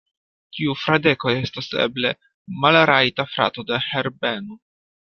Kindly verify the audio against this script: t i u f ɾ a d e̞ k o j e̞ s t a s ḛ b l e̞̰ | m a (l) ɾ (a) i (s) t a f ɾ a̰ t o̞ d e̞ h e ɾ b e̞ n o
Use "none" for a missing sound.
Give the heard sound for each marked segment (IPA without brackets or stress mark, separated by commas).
l, a, none